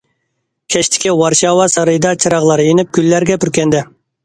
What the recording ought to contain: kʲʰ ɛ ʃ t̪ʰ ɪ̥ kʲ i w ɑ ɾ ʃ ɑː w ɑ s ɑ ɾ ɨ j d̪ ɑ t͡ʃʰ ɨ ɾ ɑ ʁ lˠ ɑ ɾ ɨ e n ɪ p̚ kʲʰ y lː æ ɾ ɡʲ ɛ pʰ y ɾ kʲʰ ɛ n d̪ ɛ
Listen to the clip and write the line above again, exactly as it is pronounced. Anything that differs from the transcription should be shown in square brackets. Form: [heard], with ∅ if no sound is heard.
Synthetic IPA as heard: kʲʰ ɛ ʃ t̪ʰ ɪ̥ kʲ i w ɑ ɾ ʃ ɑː w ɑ s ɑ ɾ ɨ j d̪ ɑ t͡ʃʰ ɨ ɾ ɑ ʁ lˠ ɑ ɾ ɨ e n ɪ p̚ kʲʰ y lː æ ɾ ɡʲ ɛ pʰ y ɾ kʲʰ ɛ n d̪ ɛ